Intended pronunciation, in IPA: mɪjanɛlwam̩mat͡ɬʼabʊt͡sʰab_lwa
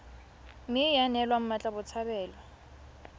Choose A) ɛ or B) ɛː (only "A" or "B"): B